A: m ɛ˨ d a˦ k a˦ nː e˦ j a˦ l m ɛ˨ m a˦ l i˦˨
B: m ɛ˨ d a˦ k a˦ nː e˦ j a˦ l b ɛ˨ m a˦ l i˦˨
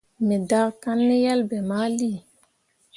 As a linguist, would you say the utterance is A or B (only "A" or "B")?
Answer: B